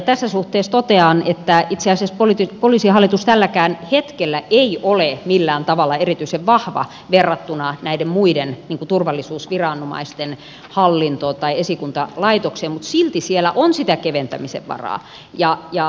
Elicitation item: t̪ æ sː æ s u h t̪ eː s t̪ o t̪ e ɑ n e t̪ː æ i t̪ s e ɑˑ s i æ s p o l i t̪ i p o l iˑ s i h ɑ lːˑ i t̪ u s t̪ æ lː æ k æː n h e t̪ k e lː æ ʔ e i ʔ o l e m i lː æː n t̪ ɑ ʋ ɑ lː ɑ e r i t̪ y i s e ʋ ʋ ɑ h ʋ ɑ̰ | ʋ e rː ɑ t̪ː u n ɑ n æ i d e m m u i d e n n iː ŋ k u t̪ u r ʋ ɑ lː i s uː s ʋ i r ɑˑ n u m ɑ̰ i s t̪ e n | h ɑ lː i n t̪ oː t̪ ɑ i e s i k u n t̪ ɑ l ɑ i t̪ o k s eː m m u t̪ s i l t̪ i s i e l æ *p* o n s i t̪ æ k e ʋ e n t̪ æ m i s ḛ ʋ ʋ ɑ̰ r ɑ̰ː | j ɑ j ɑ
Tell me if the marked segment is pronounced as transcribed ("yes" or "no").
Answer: no